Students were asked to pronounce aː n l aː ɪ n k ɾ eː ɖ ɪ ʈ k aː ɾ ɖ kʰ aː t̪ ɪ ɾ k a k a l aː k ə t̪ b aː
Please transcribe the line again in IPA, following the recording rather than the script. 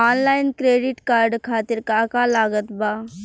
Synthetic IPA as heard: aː n l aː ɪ n k ɾ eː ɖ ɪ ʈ k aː ɾ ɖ kʰ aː t̪ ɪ ɾ k a k a l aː ɡ ə t̪ b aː